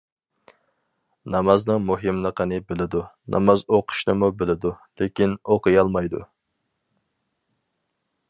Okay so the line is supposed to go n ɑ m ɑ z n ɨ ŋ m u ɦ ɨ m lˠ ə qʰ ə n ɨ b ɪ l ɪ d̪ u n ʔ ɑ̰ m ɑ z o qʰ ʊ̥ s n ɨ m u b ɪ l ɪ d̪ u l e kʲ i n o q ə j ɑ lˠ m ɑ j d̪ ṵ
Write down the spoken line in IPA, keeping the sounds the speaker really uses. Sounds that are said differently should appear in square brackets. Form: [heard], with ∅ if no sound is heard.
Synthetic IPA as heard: n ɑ m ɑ z n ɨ ŋ m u ɦ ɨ m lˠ ə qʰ ə n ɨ b ɪ l ɪ d̪ u n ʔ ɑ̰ m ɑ z o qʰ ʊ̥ [ʃ] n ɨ m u b ɪ l ɪ d̪ u l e kʲ i n o q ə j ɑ lˠ m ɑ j d̪ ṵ